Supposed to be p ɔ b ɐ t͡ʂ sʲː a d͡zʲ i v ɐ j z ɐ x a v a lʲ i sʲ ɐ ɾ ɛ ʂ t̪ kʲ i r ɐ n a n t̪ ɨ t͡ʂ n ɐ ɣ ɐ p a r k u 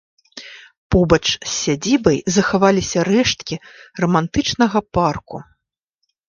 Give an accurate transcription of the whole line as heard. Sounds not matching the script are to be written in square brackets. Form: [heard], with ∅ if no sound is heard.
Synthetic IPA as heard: p ɔ b ɐ t͡ʂ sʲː a d͡zʲ i [b] ɐ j z ɐ x a v a lʲ i sʲ ɐ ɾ ɛ ʂ t̪ kʲ i r ɐ [m] a n t̪ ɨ t͡ʂ n ɐ ɣ ɐ p a r k u